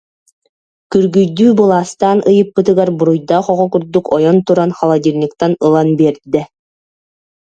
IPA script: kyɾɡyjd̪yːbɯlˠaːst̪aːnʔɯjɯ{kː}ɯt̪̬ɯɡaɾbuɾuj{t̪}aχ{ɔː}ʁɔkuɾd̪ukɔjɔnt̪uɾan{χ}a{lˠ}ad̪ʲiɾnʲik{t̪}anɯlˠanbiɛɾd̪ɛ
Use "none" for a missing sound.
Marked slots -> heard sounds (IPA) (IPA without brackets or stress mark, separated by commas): pː, d̪, ɔ, χ, lˠ, t̪